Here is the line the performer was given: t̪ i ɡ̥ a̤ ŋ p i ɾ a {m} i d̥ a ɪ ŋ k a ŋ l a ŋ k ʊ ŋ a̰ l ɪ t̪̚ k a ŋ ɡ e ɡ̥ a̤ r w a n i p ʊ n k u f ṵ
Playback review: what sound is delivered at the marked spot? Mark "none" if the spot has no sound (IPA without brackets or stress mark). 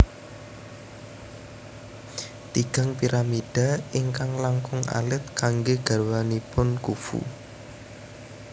m